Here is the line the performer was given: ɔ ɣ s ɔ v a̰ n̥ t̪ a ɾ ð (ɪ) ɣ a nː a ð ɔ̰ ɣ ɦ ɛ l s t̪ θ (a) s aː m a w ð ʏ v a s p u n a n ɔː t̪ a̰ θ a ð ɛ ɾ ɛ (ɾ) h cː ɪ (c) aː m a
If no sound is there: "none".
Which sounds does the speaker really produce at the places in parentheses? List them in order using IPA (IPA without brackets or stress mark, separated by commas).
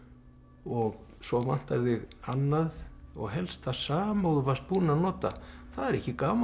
ɪ, a, none, k